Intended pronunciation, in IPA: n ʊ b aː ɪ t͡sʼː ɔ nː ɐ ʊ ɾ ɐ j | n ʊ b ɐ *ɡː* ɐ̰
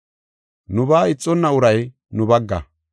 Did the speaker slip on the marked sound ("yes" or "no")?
no